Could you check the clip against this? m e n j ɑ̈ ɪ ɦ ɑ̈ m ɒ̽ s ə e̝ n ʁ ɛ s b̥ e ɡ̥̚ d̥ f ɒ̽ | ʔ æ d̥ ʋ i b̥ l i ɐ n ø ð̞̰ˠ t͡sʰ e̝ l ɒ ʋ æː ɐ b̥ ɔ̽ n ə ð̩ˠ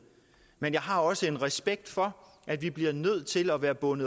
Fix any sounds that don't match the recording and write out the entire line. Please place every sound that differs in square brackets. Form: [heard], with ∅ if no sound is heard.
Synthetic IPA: m e n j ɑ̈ ɪ ɦ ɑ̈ [∅] ɒ̽ s ə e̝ n ʁ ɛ s b̥ e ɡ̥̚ d̥ f ɒ̽ | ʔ æ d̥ ʋ i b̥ l i ɐ n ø ð̞̰ˠ t͡sʰ e̝ l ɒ ʋ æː ɐ b̥ ɔ̽ n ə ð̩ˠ

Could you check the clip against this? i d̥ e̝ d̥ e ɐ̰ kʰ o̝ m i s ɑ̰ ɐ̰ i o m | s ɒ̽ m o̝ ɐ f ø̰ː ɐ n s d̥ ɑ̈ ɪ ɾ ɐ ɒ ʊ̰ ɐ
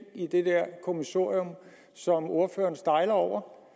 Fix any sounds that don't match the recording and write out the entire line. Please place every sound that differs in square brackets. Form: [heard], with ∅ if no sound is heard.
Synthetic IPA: i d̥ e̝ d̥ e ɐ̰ kʰ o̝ m i s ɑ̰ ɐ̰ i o m | s ɒ̽ m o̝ ɐ f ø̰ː ɐ n s d̥ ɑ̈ ɪ [l] ɐ ɒ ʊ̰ ɐ

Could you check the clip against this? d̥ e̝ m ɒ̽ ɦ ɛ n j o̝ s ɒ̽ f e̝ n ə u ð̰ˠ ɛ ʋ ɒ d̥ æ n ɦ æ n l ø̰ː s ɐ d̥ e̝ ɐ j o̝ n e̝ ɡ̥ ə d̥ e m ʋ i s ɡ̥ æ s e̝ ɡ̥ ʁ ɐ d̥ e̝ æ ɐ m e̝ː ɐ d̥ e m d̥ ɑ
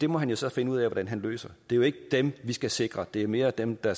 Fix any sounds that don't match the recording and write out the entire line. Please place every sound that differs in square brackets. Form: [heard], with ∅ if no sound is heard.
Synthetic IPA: d̥ e̝ m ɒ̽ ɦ [æ] n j o̝ s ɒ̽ f e̝ n ə u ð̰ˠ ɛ ʋ ɒ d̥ æ n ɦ æ n l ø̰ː s ɐ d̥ e̝ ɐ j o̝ [∅] e̝ ɡ̥ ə d̥ e m ʋ i s ɡ̥ æ s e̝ ɡ̥ ʁ ɐ d̥ e̝ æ ɐ m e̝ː ɐ d̥ e m d̥ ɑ

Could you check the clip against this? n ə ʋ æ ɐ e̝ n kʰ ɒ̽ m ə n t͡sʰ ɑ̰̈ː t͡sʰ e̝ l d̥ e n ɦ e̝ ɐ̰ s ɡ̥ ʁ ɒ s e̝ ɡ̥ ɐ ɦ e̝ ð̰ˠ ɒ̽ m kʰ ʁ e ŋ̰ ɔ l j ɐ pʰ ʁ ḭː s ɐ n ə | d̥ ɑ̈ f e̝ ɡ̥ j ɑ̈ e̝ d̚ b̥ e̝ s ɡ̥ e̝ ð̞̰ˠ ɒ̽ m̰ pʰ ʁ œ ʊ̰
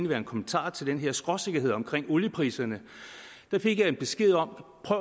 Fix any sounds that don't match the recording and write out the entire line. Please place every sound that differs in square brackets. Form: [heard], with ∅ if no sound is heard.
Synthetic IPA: n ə ʋ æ ɐ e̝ n kʰ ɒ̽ m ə n t͡sʰ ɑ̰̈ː t͡sʰ e̝ l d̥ e n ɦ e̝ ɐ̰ s ɡ̥ ʁ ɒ s e̝ ɡ̥ ɐ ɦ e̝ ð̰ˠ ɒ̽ m kʰ ʁ e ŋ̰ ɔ l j [ə] pʰ ʁ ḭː s ɐ n ə | d̥ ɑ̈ f e̝ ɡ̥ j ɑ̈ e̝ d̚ b̥ e̝ s ɡ̥ e̝ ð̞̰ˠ ɒ̽ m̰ pʰ ʁ œ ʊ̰

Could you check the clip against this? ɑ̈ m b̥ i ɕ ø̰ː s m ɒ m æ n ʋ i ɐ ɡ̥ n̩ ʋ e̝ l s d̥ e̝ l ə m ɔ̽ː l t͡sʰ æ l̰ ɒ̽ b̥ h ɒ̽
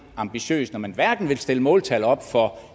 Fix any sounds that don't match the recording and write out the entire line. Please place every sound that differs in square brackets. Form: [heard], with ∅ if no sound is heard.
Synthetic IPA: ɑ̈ m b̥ i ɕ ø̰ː s [n] ɒ m æ n ʋ [æ] ɐ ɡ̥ n̩ ʋ e̝ l s d̥ e̝ l ə m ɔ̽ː l t͡sʰ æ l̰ ɒ̽ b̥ [f] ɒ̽

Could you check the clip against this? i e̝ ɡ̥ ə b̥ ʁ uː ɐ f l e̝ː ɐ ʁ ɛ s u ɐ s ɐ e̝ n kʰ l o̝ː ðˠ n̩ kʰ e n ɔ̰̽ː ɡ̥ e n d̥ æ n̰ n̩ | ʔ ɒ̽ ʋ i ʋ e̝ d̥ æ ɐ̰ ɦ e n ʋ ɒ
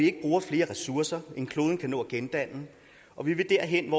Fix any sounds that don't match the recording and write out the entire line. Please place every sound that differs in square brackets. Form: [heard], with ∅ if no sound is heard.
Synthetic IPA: i e̝ ɡ̥ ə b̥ ʁ uː ɐ f l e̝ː ɐ ʁ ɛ s u ɐ s ɐ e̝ n kʰ l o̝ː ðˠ n̩ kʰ [æ] n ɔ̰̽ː ɡ̥ e n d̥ æ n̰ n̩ | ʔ ɒ̽ ʋ i ʋ e̝ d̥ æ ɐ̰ ɦ e n ʋ ɒ

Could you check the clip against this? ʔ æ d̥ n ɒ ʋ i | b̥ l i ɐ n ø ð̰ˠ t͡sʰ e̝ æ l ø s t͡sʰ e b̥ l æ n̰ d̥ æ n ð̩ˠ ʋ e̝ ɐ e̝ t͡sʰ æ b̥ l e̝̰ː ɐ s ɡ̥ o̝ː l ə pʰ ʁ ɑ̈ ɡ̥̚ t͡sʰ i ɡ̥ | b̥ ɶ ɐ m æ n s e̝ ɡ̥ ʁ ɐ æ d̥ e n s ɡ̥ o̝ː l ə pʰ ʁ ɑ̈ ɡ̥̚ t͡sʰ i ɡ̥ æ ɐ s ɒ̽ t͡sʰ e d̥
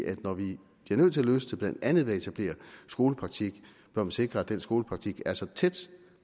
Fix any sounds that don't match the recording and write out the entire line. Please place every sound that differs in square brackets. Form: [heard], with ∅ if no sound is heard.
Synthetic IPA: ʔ æ d̥ n ɒ ʋ i | b̥ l i ɐ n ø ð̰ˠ t͡sʰ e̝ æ l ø s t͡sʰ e b̥ l æ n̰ d̥ æ n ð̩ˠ ʋ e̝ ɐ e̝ t͡sʰ æ b̥ l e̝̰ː ɐ s ɡ̥ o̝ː l ə pʰ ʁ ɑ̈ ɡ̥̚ t͡sʰ i ɡ̥ | b̥ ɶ ɐ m æ n s e̝ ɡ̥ ʁ ɐ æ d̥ e n s ɡ̥ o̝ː l ə pʰ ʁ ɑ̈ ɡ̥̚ t͡sʰ i ɡ̥ æ ɐ s ɒ̽ t͡sʰ e d̥

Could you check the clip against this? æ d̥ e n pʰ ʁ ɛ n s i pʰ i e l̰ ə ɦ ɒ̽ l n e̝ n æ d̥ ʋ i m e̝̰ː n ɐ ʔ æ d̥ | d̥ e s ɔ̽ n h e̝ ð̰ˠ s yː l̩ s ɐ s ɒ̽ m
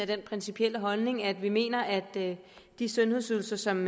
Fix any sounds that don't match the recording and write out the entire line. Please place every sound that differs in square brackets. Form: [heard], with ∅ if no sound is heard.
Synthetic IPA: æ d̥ e n pʰ ʁ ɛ n s i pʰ i e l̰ ə ɦ ɒ̽ l n e̝ [ŋ] æ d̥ ʋ i m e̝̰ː n ɐ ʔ æ d̥ | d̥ [i] s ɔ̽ n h e̝ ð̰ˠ s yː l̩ s ɐ s ɒ̽ m

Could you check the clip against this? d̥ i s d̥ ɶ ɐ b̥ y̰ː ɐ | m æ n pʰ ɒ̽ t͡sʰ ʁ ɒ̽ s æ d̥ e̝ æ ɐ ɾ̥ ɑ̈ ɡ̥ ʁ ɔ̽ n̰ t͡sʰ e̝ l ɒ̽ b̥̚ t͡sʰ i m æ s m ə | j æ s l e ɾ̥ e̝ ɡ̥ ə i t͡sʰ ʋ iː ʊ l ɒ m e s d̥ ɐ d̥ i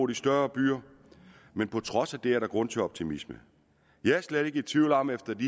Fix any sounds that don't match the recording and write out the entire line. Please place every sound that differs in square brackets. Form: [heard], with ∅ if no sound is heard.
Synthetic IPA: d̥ i s d̥ ɶ ɐ b̥ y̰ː ɐ | m [e] n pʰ ɒ̽ t͡sʰ ʁ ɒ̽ s æ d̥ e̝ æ ɐ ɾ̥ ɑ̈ ɡ̥ ʁ ɔ̽ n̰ t͡sʰ e̝ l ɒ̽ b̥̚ t͡sʰ i m [i] s m ə | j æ s l e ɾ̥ e̝ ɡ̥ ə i t͡sʰ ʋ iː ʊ l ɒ m e [f] d̥ ɐ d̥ i

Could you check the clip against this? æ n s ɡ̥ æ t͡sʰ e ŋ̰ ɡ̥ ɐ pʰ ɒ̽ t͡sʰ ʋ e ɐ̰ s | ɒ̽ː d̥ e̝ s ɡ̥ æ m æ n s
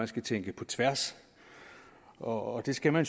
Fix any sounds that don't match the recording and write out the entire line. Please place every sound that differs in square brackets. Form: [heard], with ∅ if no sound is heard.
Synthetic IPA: æ n s ɡ̥ æ t͡sʰ e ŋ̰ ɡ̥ [ə] pʰ ɒ̽ t͡sʰ ʋ [æ] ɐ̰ s | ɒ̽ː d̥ e̝ s ɡ̥ æ m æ n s

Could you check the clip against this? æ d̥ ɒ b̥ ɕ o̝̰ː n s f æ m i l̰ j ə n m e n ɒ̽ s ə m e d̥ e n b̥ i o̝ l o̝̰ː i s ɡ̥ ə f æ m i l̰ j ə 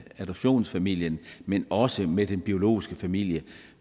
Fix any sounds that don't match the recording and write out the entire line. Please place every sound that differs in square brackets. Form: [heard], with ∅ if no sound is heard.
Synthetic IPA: æ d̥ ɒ b̥ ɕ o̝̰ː n s f æ m i l̰ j ə n m e n ɒ̽ s ə m e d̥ e n b̥ i o̝ l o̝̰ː i s ɡ̥ ə f æ m i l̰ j ə

